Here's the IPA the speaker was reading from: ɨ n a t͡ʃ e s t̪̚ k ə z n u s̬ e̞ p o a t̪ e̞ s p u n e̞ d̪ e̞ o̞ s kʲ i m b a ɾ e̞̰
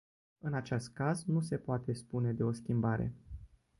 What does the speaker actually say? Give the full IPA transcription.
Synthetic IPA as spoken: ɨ n a t͡ʃ e s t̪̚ k a z n u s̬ e̞ p o a t̪ e̞ s p u n e̞ d̪ e̞ o̞ s kʲ i m b a ɾ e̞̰